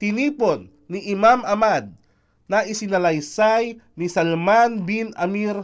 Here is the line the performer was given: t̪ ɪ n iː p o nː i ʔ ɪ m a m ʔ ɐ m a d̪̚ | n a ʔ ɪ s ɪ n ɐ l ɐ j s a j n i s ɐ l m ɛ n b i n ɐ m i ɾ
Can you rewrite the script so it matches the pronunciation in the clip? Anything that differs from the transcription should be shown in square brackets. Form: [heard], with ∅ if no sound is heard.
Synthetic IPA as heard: t̪ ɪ n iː p o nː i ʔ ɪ m a m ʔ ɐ m a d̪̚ | n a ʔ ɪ s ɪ n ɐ l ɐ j s a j n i s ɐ l m [a] n b i n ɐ m i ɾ